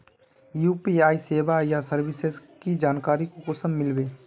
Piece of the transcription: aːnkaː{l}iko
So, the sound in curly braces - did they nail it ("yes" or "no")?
no